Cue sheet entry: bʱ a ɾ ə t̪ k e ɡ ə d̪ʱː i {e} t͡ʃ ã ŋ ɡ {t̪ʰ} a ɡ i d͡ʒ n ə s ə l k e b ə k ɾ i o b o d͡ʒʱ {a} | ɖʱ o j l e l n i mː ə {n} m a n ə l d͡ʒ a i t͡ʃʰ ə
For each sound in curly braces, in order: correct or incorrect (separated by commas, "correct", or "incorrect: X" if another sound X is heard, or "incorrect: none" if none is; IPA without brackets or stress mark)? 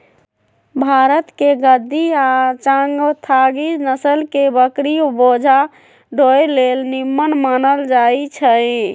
incorrect: a, correct, correct, correct